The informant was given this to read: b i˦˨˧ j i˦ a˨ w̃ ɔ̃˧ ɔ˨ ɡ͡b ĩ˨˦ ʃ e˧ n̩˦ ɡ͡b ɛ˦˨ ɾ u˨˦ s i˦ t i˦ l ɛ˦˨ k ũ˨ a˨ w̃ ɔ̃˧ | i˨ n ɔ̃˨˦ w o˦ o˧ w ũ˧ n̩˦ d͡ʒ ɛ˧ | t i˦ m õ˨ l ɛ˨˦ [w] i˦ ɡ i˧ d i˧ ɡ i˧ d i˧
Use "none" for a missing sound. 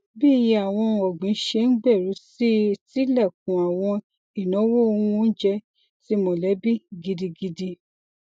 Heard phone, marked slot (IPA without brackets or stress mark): b